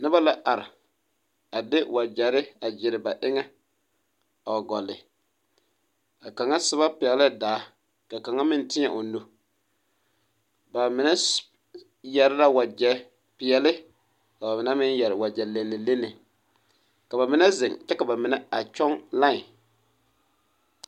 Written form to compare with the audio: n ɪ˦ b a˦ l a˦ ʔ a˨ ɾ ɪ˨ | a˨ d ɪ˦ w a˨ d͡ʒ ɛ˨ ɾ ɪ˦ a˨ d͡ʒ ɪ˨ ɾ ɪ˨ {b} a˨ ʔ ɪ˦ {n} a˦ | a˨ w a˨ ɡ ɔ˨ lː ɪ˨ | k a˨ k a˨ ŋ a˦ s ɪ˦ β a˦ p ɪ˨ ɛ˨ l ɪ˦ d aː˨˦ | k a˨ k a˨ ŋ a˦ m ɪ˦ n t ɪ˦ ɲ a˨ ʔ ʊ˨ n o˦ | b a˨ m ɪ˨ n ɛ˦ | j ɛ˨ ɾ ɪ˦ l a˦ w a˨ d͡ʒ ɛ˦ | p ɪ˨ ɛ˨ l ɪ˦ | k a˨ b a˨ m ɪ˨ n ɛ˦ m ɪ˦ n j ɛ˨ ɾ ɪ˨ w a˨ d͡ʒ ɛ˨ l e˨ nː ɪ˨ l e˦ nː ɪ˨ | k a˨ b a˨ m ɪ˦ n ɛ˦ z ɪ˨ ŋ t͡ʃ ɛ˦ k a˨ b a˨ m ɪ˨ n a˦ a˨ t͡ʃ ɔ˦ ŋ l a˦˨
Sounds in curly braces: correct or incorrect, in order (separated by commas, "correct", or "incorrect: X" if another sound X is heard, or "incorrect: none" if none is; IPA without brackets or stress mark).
correct, incorrect: ŋ